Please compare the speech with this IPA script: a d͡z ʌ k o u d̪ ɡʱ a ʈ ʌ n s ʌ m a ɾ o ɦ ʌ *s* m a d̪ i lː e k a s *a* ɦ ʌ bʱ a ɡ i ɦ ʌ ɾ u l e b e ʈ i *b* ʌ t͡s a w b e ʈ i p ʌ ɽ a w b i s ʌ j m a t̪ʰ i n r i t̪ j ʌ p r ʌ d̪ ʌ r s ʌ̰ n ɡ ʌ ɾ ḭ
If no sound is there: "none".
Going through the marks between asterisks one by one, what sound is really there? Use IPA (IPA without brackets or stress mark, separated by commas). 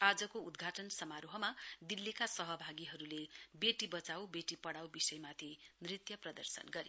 none, ʌ, b